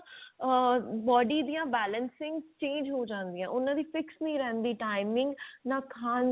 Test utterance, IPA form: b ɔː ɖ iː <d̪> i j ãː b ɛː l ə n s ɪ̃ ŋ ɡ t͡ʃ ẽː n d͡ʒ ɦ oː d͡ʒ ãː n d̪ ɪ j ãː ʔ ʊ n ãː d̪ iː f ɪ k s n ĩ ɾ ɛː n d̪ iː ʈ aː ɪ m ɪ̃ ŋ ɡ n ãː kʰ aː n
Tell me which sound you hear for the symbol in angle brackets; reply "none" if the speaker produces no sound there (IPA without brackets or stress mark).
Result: d̪